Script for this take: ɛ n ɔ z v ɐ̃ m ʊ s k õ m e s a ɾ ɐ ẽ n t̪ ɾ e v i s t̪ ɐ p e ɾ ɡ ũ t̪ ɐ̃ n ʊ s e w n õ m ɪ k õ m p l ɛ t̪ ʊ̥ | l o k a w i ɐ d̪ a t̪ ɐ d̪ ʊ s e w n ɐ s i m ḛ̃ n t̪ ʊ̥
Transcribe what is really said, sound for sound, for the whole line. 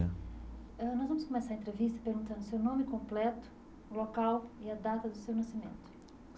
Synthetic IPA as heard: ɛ n ɔ z v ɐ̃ m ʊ s k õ m e s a ɾ ɐ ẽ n t̪ ɾ e v i s t̪ ɐ p e ɾ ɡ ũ t̪ ɐ̃ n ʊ s e w n õ m ɪ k õ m p l ɛ t̪ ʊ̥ | l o k a w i ɐ d̪ a t̪ ɐ d̪ ʊ s e w n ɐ s i m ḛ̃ n t̪ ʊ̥

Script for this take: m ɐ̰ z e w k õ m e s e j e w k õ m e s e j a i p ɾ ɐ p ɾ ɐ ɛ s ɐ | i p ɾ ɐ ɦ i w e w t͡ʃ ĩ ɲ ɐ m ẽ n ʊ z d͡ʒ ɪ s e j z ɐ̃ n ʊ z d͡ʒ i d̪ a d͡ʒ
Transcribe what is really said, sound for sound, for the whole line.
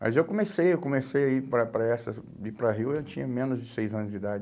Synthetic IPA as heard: m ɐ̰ z e w k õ m e s e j e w k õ m e s e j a i p ɾ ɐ p ɾ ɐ ɛ s ɐ | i p ɾ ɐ ɦ i w e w t͡ʃ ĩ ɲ ɐ m ẽ n ʊ z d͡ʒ ɪ s e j z ɐ̃ n ʊ z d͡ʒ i d̪ a d͡ʒ

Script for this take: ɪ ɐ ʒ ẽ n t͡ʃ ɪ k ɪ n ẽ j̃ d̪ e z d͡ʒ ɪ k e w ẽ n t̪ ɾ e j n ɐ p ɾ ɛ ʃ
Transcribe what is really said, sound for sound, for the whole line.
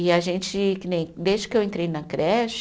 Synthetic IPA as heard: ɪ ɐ ʒ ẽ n t͡ʃ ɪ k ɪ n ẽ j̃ d̪ e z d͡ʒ ɪ k e w ẽ n t̪ ɾ e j n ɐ k ɾ ɛ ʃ

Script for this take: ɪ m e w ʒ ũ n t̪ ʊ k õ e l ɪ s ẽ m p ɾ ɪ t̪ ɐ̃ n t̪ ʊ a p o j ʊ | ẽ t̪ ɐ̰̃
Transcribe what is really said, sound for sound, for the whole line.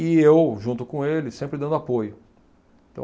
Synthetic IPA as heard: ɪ e w ʒ ũ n t̪ ʊ k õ e l ɪ s ẽ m p ɾ ɪ d̪ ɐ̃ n d̪ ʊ a p o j ʊ | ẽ t̪ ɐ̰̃

